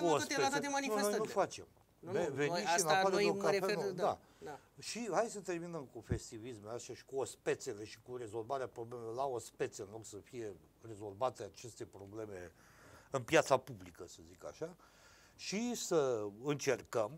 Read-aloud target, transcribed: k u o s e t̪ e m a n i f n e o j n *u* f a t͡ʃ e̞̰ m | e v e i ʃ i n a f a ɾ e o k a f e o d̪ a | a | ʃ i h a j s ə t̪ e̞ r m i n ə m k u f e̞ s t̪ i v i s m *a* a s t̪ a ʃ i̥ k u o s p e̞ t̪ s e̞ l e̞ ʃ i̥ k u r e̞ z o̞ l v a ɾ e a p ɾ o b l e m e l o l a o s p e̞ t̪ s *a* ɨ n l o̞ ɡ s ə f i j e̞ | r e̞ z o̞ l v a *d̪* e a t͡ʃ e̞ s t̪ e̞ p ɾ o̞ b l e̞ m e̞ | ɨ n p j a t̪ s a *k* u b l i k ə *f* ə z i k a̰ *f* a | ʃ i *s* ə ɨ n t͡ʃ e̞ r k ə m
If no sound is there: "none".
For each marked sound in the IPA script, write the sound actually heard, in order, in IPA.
u, e, e, t̪, p, s, ʃ, s

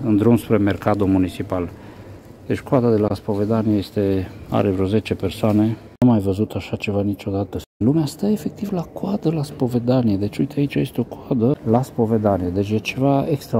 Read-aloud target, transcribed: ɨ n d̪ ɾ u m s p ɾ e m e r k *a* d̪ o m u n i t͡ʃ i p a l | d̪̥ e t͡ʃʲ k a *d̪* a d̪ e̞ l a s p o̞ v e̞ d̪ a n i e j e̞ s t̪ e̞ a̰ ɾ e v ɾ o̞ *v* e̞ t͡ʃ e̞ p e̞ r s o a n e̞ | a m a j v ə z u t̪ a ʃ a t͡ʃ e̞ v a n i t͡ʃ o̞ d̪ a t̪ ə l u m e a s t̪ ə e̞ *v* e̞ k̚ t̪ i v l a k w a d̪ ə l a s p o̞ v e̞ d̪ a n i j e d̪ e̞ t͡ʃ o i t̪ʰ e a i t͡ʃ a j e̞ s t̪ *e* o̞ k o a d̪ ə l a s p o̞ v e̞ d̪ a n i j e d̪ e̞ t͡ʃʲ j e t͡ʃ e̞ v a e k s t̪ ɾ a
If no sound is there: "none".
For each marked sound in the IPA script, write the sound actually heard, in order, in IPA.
a, d̪, z, f, e

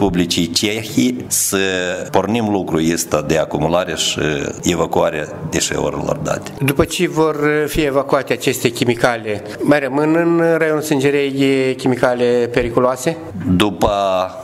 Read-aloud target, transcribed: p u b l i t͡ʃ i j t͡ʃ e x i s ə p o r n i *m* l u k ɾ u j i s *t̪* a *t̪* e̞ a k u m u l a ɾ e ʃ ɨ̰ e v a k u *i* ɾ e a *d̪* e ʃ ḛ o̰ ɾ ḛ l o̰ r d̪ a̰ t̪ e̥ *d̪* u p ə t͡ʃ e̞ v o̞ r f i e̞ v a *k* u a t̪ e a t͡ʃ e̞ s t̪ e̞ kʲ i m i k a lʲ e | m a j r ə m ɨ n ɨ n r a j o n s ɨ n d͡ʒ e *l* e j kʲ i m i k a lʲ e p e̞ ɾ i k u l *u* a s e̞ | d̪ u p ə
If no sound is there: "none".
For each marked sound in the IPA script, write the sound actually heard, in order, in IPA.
m, t̪, d̪, a, d̪, d̪, k, ɾ, o

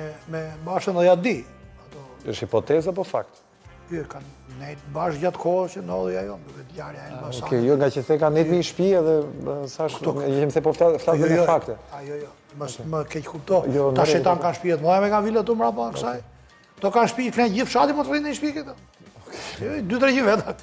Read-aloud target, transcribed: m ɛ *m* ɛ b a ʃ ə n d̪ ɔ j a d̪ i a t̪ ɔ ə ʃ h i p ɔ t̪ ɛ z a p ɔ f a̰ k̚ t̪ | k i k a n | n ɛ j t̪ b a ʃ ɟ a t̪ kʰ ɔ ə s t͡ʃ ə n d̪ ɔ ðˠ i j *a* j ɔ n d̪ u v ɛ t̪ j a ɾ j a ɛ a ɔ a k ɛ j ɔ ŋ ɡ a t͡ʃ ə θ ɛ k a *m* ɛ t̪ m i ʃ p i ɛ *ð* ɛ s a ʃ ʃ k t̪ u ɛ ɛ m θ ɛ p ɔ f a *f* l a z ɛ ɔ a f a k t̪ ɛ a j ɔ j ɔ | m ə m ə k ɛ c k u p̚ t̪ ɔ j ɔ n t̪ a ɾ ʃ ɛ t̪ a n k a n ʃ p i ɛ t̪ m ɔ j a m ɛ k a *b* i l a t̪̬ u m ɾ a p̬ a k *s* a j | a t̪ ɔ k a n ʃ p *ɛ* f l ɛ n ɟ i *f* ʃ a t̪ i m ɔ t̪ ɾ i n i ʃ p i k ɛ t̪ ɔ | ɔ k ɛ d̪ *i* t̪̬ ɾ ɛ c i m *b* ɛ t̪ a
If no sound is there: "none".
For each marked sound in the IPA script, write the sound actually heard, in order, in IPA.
m, a, n, ð, f, v, s, i, f, y, v

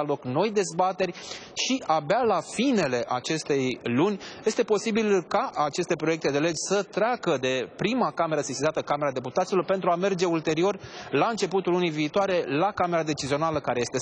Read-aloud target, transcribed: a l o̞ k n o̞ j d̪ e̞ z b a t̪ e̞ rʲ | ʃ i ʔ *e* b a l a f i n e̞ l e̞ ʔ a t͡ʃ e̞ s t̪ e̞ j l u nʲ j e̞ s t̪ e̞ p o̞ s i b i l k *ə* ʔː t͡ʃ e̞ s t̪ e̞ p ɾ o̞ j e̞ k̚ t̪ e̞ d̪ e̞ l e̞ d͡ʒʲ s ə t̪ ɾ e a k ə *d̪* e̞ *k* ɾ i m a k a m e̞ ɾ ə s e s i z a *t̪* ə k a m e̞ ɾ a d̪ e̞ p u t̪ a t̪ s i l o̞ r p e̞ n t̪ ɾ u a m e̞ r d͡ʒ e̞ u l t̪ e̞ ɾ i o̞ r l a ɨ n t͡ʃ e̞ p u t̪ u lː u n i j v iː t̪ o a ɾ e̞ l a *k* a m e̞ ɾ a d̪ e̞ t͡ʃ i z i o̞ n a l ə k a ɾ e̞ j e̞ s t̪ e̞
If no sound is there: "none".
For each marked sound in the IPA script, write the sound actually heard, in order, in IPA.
a, a, d̪, p, t̪, k

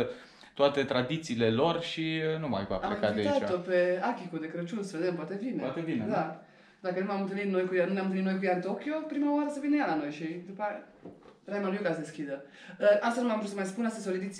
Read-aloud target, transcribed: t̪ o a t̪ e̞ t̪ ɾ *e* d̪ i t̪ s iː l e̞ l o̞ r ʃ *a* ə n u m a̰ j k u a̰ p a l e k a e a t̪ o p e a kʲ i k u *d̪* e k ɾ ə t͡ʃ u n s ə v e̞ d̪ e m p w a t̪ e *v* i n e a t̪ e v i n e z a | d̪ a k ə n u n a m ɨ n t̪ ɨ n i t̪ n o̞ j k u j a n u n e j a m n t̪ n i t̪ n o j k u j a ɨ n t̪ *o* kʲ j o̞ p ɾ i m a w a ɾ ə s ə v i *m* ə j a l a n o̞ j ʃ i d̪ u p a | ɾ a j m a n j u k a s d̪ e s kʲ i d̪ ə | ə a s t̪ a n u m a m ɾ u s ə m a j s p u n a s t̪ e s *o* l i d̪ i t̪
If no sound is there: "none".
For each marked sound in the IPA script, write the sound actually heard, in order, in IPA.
a, i, d̪, v, o, n, o

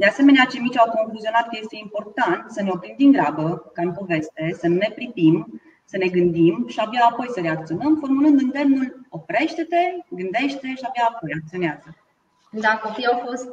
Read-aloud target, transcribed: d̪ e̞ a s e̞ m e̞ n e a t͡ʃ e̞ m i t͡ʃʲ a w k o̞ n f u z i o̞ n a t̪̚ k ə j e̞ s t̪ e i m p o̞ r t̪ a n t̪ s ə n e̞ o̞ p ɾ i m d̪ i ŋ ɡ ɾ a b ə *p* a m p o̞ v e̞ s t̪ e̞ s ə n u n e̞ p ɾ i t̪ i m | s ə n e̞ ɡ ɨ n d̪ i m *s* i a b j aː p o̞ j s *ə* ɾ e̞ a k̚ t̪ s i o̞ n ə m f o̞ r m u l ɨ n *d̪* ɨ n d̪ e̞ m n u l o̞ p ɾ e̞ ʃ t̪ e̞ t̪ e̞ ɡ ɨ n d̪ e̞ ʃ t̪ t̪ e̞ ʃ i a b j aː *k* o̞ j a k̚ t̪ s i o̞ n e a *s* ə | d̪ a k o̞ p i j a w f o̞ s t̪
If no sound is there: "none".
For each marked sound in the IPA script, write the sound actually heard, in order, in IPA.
k, ʃ, ə, d̪, p, z

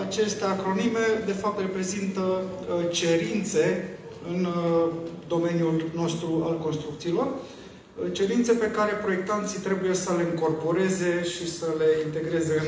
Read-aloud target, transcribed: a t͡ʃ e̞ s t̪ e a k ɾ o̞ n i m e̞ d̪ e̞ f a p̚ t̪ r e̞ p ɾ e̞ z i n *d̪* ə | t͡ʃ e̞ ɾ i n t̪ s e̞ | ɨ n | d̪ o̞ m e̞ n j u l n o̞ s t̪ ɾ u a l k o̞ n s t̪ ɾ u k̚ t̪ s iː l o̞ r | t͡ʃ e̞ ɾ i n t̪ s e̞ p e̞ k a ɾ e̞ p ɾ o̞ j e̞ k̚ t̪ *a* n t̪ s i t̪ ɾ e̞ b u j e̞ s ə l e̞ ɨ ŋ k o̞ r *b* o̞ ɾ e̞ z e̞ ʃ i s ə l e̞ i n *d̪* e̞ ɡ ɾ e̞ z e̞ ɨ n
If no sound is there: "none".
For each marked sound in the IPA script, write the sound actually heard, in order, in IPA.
t̪, a, p, t̪

